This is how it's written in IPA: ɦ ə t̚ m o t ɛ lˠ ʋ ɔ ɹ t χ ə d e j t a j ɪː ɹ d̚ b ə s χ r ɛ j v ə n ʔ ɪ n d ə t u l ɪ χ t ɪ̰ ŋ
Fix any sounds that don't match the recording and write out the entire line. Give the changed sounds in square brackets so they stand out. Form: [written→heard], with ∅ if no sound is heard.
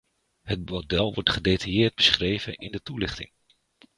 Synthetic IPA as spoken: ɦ ə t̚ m o [t→d] ɛ lˠ ʋ ɔ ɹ t χ ə d e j t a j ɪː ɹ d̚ b ə s χ r [ɛ→e] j v ə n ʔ ɪ n d ə t u l ɪ χ t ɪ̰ ŋ